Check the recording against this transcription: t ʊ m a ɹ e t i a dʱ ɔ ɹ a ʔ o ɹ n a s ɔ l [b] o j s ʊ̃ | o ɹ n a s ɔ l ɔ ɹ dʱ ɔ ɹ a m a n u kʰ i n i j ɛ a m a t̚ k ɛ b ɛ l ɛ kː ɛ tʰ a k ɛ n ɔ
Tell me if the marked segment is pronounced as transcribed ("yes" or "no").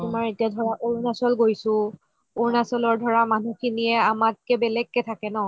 no